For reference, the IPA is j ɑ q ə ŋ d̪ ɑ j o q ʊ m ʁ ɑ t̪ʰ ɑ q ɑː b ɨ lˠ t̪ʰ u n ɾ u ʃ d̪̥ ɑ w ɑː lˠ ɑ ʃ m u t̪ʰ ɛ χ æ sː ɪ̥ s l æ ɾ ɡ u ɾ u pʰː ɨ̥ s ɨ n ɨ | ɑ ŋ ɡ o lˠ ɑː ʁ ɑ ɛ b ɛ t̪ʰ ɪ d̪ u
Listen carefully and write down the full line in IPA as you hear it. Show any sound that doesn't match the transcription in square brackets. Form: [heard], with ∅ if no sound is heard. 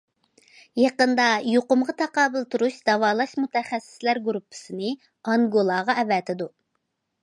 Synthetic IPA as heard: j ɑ q ə [n] d̪ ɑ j o q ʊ m ʁ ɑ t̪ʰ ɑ q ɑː b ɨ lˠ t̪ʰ u [∅] ɾ u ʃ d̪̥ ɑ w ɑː lˠ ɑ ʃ m u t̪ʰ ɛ χ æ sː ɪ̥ s l æ ɾ ɡ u ɾ u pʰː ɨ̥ s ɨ n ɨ | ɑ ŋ ɡ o lˠ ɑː ʁ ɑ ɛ [v] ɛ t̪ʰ ɪ d̪ u